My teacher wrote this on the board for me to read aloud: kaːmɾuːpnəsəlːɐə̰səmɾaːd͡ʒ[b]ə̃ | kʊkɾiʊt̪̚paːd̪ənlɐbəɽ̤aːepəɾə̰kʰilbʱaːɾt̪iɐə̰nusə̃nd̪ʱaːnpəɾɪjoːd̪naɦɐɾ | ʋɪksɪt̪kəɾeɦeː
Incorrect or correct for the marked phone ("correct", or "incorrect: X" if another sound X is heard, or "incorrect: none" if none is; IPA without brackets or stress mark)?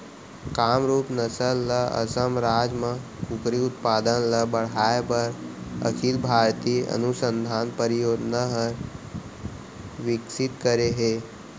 incorrect: m